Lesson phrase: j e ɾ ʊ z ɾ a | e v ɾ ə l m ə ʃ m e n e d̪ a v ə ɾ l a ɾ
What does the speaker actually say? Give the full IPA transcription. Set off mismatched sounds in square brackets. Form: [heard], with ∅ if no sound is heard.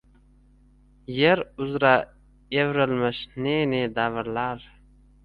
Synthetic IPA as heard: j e ɾ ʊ z ɾ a | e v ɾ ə l m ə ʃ [n] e n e d̪ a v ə ɾ l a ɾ